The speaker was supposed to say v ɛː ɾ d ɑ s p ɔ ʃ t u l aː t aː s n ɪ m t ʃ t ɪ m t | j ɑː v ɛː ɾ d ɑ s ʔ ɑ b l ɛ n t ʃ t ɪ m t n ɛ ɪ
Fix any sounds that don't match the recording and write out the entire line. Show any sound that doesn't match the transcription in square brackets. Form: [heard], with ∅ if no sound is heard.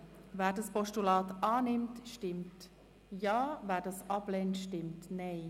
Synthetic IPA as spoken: v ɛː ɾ d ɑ s p ɔ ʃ t u l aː t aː [∅] n ɪ m t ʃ t ɪ m t | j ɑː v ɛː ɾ d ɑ s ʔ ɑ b l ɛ n t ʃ t ɪ m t n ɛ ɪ